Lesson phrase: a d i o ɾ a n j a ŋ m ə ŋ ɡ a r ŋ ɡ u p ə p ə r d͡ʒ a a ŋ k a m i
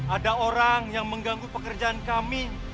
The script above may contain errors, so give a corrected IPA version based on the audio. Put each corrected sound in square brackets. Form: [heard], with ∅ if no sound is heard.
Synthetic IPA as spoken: a d [a] o ɾ a [ŋ] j a ŋ m ə ŋ ɡ a [∅] ŋ ɡ u p ə [k] ə r d͡ʒ a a [n] k a m i